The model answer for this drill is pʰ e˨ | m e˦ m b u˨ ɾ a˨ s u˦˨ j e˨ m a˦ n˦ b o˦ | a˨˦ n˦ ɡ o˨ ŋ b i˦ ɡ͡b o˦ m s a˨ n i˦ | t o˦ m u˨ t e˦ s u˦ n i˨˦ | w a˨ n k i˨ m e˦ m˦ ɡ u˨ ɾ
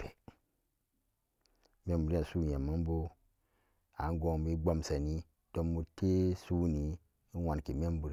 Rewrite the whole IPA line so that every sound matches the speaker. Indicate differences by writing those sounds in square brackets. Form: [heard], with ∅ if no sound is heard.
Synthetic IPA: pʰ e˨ | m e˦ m b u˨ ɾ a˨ s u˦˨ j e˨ m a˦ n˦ b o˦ | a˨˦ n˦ ɡ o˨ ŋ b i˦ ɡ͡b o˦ m s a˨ n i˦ | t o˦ m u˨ t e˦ s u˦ n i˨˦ | w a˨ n k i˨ m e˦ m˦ [b] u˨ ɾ